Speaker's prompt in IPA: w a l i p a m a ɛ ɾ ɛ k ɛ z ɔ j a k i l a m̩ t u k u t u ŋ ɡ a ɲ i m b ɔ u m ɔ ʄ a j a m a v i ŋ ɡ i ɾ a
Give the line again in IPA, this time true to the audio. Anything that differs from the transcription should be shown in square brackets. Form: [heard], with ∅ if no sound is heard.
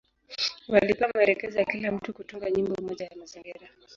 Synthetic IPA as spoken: w a l i p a m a ɛ ɾ ɛ k ɛ z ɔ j a k i l a m̩ t u k u t u ŋ ɡ a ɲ i m b ɔ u m ɔ ʄ a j a m a [z] i ŋ ɡ i ɾ a